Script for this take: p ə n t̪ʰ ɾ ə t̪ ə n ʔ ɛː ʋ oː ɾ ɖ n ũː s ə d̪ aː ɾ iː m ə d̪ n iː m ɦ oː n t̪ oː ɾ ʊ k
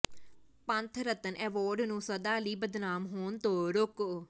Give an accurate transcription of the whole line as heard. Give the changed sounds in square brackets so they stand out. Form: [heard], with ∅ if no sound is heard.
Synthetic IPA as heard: p ə n t̪ʰ ɾ ə t̪ ə n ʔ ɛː ʋ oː ɾ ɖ n ũː s ə d̪ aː [l] iː [b] ə d̪ n [aː] m ɦ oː n t̪ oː ɾ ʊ k